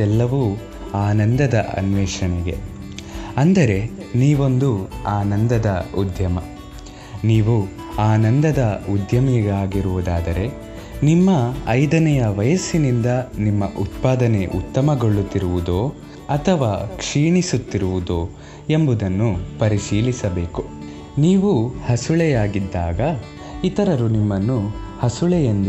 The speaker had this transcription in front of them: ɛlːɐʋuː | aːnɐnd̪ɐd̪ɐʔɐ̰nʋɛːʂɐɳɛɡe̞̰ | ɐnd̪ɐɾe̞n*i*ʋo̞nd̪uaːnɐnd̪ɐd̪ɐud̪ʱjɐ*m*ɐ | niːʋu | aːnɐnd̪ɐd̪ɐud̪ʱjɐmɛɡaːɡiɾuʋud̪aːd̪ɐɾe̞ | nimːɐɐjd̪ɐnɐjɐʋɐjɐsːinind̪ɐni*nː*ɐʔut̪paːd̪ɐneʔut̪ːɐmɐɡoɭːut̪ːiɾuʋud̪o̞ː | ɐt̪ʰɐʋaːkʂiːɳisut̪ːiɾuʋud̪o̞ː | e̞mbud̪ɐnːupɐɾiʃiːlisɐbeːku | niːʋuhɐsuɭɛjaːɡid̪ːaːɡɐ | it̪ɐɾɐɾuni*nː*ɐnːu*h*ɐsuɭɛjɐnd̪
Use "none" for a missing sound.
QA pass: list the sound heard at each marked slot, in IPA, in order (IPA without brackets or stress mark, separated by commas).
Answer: iː, m, mː, mː, h